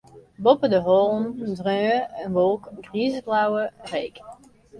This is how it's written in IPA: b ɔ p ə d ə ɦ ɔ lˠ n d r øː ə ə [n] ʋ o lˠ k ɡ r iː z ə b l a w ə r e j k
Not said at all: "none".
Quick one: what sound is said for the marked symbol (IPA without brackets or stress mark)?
n